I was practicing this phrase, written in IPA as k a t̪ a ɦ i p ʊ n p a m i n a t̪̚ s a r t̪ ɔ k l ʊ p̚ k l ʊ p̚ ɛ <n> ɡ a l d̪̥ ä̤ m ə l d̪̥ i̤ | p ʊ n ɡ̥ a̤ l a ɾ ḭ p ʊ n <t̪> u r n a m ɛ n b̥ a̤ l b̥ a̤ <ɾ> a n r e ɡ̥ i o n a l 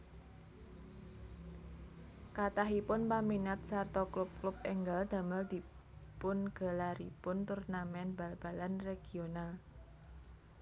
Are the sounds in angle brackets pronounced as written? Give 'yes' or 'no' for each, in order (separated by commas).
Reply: no, yes, no